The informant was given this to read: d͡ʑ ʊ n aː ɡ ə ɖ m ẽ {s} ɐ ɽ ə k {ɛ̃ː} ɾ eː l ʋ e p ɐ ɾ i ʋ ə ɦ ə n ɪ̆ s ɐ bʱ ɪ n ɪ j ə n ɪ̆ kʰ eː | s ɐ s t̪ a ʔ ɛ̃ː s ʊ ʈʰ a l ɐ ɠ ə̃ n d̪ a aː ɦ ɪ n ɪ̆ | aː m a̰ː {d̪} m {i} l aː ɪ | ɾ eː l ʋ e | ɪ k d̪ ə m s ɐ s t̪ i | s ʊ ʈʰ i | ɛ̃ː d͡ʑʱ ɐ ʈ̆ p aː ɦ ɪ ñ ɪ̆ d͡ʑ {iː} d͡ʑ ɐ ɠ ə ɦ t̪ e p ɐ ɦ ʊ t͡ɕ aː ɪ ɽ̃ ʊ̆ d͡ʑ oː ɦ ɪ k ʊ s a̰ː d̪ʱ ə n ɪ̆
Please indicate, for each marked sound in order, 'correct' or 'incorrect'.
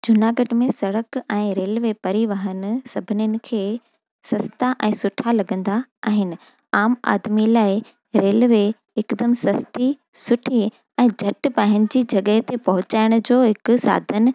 correct, correct, correct, correct, correct

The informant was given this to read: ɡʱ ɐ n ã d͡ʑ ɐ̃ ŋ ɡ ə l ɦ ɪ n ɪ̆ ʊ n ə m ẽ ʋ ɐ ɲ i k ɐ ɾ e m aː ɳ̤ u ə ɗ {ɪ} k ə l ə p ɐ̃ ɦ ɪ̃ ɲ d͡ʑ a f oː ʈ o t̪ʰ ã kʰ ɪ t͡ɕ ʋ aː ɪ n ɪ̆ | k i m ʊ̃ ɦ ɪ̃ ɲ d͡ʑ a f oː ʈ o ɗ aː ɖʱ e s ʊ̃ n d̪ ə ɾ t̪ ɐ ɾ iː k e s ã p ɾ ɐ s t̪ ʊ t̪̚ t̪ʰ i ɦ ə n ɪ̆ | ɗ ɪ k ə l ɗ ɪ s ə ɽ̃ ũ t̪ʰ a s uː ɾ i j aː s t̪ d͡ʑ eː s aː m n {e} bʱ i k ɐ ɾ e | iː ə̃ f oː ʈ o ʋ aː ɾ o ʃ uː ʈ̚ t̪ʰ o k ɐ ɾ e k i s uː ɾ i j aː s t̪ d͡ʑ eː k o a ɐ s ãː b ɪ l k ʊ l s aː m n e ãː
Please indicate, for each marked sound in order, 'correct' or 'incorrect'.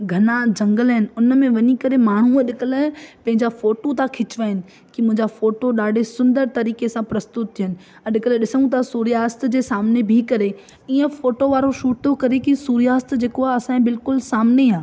correct, correct

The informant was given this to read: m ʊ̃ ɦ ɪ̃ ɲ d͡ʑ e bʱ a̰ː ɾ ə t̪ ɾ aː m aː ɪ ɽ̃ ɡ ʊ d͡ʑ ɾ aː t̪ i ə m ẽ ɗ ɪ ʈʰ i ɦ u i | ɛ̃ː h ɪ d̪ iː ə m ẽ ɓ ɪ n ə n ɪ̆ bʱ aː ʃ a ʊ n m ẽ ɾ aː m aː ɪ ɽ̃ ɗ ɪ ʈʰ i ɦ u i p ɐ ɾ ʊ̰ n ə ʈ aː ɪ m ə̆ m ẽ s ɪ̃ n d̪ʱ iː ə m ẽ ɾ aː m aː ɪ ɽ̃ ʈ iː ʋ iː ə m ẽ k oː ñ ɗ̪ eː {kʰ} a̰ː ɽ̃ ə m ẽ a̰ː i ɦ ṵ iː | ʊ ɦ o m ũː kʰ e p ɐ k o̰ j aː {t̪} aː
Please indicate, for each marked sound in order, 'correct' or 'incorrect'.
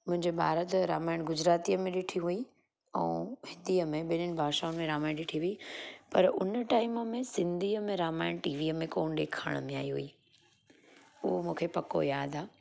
correct, incorrect: d̪

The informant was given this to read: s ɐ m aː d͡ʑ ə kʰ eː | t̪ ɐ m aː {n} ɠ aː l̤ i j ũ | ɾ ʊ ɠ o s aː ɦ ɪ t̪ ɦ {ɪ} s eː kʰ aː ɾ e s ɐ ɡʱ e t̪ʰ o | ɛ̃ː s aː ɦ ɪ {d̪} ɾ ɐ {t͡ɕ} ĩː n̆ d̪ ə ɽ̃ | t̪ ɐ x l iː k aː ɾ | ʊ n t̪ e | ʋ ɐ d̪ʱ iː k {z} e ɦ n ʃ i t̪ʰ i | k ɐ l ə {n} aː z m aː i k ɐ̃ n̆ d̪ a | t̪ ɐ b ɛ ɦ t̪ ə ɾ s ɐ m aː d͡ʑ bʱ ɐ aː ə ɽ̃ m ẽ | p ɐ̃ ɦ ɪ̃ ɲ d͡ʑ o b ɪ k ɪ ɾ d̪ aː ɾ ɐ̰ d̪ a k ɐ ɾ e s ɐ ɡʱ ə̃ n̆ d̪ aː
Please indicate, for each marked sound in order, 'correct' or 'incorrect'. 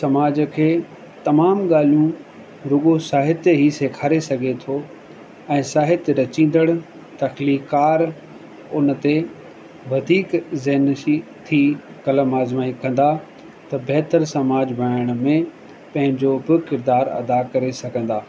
incorrect: m, incorrect: i, incorrect: t̪, correct, correct, incorrect: m

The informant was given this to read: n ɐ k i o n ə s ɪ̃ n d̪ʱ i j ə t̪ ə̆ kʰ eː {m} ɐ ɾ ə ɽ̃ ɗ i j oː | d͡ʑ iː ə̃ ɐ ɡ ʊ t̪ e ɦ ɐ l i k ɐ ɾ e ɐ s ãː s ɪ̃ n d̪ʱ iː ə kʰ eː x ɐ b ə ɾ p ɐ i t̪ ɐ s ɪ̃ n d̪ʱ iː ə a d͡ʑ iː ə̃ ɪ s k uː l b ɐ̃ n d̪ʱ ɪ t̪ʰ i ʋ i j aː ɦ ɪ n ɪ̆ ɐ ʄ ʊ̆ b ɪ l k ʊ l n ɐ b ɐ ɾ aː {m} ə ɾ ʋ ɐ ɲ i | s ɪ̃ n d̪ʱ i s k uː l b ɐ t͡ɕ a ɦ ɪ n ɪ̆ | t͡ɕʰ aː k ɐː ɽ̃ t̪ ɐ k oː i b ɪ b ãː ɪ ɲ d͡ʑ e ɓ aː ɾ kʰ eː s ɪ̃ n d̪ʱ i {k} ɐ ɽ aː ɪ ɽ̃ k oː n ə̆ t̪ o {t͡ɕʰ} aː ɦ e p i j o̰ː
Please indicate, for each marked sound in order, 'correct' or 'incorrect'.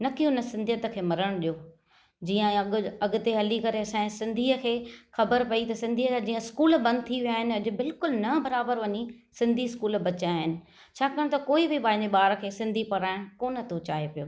correct, incorrect: b, incorrect: p, incorrect: t͡ɕ

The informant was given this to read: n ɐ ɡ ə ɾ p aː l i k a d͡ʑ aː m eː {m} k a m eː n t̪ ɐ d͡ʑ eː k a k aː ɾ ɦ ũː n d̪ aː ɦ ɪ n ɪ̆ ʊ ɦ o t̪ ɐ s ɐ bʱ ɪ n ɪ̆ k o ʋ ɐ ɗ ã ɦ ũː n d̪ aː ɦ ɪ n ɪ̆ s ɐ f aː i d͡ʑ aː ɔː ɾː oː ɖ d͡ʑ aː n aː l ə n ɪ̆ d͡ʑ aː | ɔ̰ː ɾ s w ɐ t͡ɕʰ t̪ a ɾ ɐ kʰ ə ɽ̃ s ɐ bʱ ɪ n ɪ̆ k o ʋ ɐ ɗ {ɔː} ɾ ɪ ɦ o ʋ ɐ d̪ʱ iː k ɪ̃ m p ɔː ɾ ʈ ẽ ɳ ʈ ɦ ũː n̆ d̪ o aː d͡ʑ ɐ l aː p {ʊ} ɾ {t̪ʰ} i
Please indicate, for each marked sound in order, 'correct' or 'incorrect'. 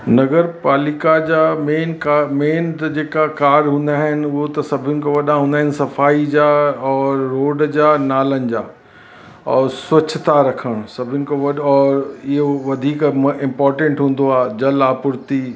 incorrect: n, correct, correct, incorrect: t̪

